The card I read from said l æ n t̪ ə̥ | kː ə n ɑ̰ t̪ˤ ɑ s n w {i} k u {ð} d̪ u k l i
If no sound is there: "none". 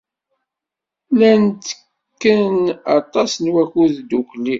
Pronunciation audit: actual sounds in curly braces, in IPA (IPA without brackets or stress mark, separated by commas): æ, ð